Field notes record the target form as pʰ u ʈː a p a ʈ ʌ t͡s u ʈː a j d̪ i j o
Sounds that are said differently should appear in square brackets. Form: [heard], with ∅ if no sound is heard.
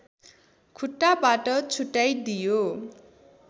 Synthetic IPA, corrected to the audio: [kʰ] u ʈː a [b] a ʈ ʌ [t͡sʰ] u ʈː a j d̪ i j o